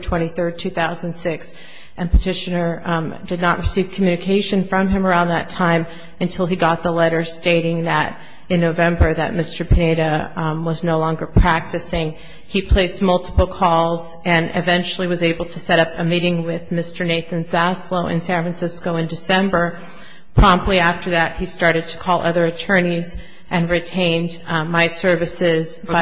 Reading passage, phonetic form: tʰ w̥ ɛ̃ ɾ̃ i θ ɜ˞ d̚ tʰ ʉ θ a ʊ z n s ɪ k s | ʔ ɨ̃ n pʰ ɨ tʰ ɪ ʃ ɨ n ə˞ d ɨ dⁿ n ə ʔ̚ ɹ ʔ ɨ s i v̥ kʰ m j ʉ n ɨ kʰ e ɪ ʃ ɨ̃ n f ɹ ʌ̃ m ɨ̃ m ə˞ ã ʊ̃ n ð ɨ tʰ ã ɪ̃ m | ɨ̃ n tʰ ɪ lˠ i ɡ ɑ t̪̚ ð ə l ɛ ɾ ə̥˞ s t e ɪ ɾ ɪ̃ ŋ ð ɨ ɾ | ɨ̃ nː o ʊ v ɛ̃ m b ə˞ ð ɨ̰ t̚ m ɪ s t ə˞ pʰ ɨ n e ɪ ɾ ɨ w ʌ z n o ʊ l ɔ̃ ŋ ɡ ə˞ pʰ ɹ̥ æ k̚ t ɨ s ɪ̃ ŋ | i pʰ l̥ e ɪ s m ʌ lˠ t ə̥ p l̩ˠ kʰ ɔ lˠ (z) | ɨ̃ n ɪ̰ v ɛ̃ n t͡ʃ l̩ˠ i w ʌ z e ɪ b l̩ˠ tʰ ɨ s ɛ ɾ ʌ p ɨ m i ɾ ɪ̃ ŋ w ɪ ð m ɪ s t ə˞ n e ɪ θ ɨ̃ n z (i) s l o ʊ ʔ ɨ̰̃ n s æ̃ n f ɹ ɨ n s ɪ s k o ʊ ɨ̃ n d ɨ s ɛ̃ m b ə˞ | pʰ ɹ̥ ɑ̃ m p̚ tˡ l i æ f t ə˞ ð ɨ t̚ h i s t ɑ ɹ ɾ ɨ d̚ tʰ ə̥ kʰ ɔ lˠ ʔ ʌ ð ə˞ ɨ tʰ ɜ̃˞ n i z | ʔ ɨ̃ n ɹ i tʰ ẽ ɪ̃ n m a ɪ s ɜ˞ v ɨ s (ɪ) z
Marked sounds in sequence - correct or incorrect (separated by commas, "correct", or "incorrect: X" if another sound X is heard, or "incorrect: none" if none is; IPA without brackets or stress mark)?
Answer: correct, incorrect: æ, correct